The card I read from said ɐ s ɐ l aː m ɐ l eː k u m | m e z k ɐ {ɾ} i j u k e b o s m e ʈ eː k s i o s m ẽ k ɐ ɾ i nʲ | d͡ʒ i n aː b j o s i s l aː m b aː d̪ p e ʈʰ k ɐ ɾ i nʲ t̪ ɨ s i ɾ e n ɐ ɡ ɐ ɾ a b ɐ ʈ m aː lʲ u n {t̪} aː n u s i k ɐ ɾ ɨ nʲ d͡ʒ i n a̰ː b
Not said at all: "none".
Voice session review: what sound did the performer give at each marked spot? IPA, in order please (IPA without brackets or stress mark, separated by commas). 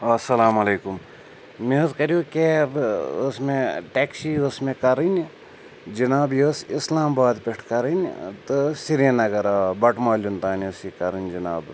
ɾ, t̪